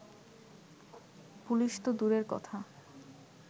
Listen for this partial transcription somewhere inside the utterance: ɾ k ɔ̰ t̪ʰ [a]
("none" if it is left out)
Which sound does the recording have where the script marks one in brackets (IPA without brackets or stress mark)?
a